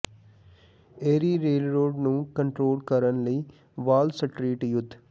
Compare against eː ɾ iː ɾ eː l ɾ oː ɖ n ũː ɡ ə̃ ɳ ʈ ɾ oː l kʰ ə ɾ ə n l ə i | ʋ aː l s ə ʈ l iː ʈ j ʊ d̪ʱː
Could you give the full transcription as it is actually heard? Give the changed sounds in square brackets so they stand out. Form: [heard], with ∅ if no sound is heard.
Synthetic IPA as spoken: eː ɾ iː ɾ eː l ɾ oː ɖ n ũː [k] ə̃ ɳ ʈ ɾ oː l [k] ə ɾ ə n l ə i | ʋ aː l s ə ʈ [ɾ] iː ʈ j ʊ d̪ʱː